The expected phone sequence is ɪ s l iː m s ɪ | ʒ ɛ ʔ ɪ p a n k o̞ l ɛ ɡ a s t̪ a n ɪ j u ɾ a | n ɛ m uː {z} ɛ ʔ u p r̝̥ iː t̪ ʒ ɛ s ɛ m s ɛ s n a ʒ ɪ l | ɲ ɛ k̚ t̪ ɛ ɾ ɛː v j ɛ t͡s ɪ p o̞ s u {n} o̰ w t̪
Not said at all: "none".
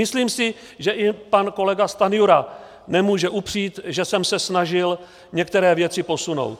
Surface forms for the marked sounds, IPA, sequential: ʒ, n

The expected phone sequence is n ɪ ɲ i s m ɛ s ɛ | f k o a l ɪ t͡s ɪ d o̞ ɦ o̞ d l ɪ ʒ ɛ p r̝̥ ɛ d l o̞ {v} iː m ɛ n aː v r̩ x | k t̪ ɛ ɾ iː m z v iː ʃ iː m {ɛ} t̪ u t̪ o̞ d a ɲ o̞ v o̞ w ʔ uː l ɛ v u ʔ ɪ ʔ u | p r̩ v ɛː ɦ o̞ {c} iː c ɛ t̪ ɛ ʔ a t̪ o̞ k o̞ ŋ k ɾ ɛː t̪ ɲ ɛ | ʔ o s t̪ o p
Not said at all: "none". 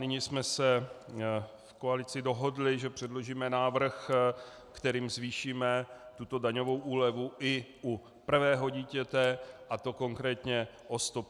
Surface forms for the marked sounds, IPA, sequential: ʒ, ɛ, ɟ

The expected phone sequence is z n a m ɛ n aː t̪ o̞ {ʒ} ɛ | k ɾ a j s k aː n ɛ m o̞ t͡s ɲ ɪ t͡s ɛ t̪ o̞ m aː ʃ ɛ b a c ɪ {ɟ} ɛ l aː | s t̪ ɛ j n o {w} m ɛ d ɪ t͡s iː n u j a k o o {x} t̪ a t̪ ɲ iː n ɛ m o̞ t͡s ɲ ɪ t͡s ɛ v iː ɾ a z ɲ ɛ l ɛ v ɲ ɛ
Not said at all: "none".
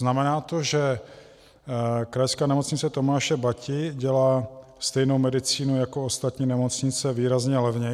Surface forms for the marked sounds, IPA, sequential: ʒ, ɟ, w, s

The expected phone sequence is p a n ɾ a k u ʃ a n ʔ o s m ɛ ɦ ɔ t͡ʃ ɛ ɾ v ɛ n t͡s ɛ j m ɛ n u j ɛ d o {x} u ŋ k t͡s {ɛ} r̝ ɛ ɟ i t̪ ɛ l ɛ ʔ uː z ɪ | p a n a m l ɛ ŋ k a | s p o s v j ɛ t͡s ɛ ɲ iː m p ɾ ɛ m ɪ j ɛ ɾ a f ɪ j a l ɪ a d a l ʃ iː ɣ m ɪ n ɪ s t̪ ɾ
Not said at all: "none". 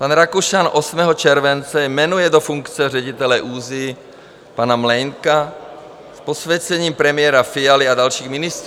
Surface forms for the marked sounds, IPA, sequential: f, ɛ

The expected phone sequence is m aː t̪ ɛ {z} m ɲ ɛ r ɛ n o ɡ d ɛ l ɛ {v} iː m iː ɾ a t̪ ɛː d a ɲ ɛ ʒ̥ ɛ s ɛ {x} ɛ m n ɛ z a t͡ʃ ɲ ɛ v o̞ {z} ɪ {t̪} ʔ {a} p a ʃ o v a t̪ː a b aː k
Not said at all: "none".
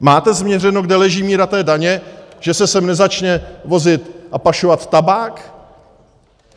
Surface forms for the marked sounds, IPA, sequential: z, ʒ, s, z, t̪, a

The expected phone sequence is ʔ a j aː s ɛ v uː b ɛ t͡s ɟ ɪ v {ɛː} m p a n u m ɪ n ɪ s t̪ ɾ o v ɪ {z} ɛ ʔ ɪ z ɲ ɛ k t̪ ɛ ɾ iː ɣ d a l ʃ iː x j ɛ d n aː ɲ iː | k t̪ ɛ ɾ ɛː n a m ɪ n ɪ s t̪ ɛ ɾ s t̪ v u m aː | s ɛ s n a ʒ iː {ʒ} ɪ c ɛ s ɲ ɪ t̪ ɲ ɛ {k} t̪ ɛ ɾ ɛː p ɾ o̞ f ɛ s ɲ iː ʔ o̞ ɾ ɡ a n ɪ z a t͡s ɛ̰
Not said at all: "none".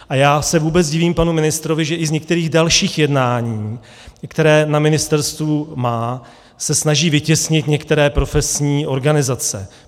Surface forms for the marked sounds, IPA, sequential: iː, ʒ, v, k

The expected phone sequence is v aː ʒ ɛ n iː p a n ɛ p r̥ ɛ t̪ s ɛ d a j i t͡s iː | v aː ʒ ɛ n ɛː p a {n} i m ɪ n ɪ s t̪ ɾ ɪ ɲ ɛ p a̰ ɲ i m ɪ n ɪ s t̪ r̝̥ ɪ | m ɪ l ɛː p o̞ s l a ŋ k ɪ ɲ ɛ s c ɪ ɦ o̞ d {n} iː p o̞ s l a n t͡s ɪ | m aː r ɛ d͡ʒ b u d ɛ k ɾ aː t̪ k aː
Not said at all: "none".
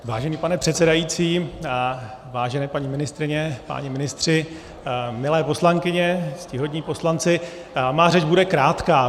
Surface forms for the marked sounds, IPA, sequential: ɲ, ɲ

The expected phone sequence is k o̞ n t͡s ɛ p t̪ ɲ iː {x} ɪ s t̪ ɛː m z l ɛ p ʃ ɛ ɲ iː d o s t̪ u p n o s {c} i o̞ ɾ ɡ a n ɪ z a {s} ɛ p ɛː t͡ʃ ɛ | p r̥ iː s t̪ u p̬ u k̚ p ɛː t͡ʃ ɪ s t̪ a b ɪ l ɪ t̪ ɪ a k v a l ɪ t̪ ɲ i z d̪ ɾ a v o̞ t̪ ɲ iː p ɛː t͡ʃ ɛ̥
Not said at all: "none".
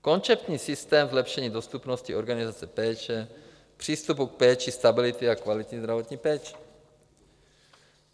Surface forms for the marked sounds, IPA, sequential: s, c, t͡s

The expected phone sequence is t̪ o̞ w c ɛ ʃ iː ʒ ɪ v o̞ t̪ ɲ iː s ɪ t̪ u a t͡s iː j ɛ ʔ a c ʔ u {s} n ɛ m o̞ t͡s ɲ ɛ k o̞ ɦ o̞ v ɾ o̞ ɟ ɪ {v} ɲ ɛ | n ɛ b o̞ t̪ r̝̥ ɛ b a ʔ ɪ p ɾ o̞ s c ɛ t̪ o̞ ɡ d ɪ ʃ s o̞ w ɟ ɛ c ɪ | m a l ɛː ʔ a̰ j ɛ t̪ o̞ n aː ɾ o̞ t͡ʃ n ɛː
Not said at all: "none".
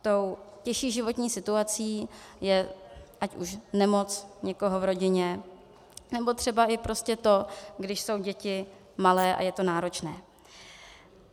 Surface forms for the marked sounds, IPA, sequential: ʃ, none

